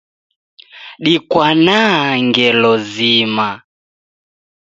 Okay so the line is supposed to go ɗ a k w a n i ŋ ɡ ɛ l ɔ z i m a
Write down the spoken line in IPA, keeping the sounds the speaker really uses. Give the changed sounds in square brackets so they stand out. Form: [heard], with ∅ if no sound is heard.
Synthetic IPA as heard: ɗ [i] k w a n [a] ŋ ɡ ɛ l ɔ z i m a